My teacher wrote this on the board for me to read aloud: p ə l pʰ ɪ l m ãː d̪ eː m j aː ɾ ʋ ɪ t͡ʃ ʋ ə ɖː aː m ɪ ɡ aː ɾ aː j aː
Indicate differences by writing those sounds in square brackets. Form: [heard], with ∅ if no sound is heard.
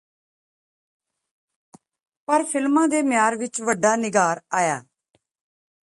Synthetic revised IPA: p ə [ɾ] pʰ ɪ l m ãː d̪ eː m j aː ɾ ʋ ɪ t͡ʃ ʋ ə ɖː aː [n] ɪ ɡ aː ɾ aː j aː